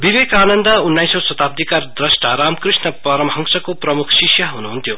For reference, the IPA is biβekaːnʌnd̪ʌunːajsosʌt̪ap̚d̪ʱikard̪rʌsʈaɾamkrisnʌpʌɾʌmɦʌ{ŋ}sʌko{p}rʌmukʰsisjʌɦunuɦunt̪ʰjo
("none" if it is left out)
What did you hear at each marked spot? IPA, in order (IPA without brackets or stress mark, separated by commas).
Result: ŋ, p